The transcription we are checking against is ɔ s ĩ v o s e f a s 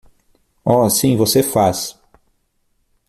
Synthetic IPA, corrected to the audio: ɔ s ĩ v o s e f a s